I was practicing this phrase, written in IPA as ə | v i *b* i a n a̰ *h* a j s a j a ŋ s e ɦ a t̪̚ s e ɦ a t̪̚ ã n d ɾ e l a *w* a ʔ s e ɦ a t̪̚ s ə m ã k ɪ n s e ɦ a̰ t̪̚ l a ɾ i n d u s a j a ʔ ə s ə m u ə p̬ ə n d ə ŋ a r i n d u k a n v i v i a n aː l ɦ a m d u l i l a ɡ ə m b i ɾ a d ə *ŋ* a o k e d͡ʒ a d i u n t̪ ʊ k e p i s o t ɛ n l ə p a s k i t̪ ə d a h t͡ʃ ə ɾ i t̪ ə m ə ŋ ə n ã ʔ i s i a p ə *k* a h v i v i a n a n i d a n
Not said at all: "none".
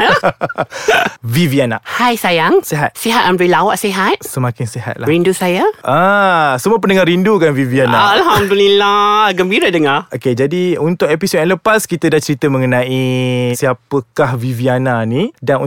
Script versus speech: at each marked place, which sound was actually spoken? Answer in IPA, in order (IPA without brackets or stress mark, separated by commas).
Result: v, h, w, ŋ, k